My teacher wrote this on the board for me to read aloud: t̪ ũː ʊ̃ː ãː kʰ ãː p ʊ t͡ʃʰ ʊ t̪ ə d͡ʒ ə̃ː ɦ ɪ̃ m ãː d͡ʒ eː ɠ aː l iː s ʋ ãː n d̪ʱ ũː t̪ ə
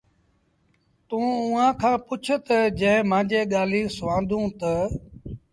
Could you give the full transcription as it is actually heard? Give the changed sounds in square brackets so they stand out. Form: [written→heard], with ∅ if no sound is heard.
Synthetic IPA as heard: t̪ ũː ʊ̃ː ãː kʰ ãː p ʊ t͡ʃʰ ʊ t̪ ə d͡ʒ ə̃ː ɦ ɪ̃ m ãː d͡ʒ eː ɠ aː l iː s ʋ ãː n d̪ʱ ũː t̪ ə